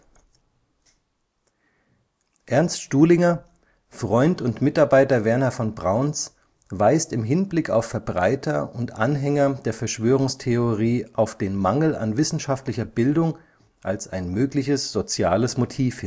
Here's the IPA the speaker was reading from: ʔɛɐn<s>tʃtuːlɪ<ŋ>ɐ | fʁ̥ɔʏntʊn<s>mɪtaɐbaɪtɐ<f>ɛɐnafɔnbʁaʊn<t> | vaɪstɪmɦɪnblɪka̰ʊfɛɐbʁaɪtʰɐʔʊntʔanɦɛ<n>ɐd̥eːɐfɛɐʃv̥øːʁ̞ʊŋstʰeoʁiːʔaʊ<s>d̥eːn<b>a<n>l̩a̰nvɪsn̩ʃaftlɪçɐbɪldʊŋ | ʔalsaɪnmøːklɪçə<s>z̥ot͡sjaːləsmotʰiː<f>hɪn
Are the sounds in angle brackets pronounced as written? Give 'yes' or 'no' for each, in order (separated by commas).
yes, yes, no, no, no, no, no, no, no, yes, yes